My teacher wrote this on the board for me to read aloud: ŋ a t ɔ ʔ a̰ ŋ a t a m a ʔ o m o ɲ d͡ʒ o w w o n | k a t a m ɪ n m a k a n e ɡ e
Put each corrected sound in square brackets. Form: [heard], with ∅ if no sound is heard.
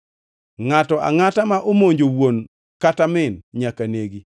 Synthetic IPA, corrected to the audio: ŋ a t ɔ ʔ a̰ ŋ a t a m a ʔ o m o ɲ d͡ʒ o w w o n | k a t a m ɪ n [ɲ] a k a n e ɡ [i]